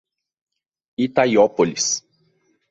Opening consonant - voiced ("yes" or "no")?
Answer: no